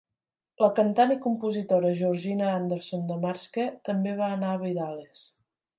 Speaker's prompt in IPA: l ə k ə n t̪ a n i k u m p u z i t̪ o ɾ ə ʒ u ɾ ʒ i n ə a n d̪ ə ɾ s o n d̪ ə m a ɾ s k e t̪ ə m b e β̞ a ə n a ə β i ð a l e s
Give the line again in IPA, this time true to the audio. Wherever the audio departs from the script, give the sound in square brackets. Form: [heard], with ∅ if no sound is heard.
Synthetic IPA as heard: l ə k ə n t̪ a n i k u m p u z i t̪ o ɾ ə ʒ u ɾ ʒ i n ə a n d̪ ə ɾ s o n d̪ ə m a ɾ s k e t̪ ə m b e β̞ a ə n a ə β i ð a l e s